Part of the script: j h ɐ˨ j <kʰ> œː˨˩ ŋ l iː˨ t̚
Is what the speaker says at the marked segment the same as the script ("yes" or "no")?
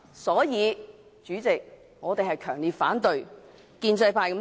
yes